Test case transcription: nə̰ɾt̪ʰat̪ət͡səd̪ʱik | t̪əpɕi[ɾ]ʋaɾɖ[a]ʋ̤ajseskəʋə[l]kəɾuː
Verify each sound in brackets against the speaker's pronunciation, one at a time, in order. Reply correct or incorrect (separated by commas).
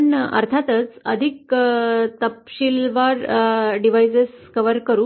incorrect, incorrect, incorrect